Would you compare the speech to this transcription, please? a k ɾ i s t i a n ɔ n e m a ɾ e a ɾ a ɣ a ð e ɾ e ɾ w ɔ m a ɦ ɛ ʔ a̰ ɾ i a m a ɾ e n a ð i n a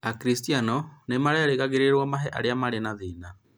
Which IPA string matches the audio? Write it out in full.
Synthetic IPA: a k ɾ i s t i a n ɔ n e m a ɾ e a ɾ e ɣ a ɣ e ɾ e ɾ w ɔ m a ɦ ɛ ʔ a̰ ɾ e a m a ɾ e n a ð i n a